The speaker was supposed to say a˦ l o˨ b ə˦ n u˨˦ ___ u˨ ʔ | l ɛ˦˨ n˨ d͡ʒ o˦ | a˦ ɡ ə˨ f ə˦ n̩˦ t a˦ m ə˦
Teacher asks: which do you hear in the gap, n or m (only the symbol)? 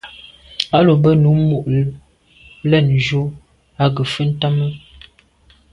m